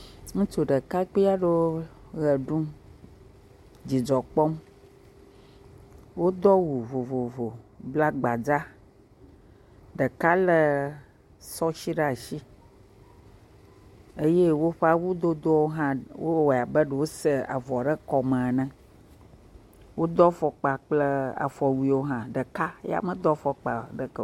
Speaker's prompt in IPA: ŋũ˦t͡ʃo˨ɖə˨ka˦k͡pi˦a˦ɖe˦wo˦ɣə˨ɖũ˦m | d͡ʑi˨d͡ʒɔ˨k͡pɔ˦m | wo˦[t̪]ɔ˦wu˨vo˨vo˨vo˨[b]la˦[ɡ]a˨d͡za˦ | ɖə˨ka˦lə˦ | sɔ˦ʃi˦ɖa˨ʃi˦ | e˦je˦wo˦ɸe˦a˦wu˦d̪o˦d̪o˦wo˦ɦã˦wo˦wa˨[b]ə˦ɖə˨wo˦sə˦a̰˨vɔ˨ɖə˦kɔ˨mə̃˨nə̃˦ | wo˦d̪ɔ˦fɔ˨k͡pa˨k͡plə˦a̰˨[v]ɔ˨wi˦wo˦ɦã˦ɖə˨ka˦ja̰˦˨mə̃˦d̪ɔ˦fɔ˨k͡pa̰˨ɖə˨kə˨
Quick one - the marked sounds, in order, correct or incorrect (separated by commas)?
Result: incorrect, correct, incorrect, correct, incorrect